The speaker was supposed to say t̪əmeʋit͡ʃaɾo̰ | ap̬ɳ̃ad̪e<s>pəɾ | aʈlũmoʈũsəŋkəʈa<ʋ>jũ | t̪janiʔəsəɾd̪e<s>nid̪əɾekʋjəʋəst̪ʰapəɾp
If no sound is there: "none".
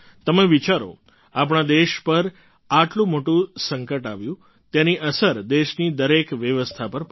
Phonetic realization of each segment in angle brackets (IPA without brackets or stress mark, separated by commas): ʃ, ʋ, ʃ